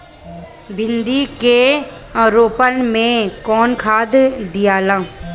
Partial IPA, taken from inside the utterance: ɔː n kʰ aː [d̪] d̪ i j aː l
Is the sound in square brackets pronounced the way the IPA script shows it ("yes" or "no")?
yes